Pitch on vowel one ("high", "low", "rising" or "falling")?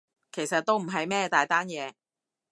low